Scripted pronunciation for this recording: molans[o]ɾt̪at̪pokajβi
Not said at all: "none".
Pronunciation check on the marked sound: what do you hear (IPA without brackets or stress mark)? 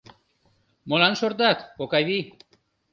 o